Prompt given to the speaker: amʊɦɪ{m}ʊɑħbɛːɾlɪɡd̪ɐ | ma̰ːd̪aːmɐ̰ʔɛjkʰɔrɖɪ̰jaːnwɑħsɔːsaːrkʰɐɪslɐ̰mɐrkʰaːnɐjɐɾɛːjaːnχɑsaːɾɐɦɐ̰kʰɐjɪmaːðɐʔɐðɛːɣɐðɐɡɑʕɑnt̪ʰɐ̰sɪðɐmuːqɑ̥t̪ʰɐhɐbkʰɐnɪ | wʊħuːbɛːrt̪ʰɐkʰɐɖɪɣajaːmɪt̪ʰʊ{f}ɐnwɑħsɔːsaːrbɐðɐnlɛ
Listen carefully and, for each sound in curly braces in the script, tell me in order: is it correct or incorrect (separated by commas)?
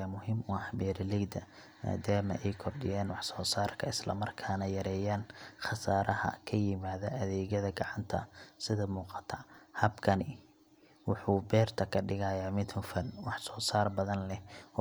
correct, correct